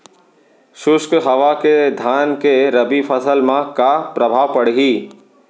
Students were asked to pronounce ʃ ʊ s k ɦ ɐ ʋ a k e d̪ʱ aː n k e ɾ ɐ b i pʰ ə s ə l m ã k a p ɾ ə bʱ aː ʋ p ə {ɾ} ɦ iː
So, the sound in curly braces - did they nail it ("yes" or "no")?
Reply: no